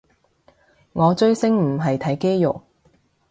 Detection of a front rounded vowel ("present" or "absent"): absent